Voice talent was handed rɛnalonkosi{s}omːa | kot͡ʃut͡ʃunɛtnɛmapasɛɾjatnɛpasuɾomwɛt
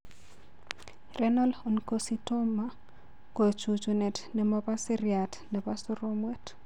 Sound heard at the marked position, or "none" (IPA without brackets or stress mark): t